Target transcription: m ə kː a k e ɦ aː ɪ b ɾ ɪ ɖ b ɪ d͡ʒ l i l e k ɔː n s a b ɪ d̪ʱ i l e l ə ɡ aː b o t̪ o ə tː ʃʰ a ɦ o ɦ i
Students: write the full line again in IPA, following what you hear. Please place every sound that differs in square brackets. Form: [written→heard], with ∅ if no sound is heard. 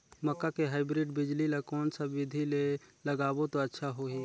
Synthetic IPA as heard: m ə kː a k e ɦ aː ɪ b ɾ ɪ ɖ b ɪ d͡ʒ l i l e k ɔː n s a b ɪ d̪ʱ i l e l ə ɡ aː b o t̪ o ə tː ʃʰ a ɦ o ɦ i